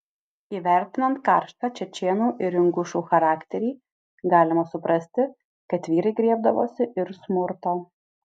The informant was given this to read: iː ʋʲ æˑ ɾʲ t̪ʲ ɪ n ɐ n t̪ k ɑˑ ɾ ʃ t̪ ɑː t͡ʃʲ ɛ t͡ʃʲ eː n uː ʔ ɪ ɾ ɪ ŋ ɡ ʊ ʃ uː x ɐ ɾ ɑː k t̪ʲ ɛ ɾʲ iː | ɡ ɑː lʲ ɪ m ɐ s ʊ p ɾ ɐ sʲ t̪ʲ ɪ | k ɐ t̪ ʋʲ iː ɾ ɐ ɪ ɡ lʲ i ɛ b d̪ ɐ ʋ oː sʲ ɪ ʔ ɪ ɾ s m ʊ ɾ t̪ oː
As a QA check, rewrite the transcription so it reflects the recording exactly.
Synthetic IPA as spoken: iː ʋʲ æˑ ɾʲ t̪ʲ ɪ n ɐ n t̪ k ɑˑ ɾ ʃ t̪ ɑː t͡ʃʲ ɛ t͡ʃʲ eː n uː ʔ ɪ ɾ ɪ ŋ ɡ ʊ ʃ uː x ɐ ɾ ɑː k t̪ʲ ɛ ɾʲ iː | ɡ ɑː lʲ ɪ m ɐ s ʊ p ɾ ɐ sʲ t̪ʲ ɪ | k ɐ t̪ ʋʲ iː ɾ ɐ ɪ ɡ ɾʲ i ɛ b d̪ ɐ ʋ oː sʲ ɪ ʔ ɪ ɾ s m ʊ ɾ t̪ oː